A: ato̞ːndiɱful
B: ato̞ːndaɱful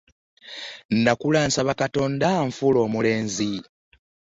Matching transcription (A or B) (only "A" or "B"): B